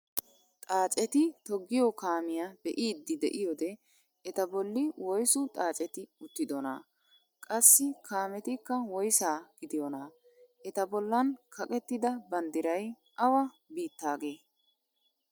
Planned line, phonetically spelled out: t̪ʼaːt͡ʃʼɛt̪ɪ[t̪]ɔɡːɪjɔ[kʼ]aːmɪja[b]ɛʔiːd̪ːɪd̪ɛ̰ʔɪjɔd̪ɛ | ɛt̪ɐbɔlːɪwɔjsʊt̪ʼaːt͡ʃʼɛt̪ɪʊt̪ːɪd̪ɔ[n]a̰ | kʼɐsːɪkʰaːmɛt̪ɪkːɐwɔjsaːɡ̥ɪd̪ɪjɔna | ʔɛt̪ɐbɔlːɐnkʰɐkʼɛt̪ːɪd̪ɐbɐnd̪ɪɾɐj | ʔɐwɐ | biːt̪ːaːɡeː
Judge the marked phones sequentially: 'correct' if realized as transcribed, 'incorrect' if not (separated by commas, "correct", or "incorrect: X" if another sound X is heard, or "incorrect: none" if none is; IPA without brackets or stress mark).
correct, incorrect: k, correct, correct